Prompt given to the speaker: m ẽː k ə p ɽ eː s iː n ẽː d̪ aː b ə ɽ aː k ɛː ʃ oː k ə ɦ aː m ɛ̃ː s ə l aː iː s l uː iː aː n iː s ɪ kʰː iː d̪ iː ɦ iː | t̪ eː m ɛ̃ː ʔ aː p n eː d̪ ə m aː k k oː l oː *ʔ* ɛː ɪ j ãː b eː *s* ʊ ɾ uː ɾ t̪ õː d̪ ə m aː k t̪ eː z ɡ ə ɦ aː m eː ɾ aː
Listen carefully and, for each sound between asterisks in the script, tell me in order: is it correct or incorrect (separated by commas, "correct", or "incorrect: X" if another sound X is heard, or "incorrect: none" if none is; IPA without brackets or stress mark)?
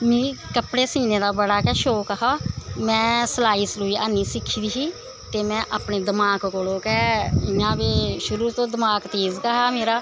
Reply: incorrect: k, incorrect: ʃ